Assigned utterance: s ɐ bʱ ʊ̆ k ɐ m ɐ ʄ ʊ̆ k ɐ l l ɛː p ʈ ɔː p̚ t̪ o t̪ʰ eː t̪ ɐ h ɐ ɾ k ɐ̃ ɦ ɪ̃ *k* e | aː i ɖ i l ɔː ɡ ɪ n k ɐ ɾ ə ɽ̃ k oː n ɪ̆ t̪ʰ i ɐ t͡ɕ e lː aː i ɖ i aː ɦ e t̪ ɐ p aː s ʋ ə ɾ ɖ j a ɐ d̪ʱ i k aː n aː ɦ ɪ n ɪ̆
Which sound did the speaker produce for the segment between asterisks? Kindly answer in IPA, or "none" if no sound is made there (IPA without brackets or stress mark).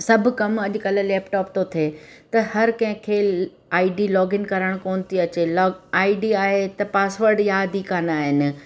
kʰ